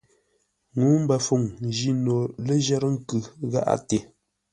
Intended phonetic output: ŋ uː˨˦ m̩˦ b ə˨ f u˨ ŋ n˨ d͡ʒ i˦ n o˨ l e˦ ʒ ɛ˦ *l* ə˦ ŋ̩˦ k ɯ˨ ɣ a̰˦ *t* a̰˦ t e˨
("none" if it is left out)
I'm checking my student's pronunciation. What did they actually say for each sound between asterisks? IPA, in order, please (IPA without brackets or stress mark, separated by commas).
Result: ɾ, ʔ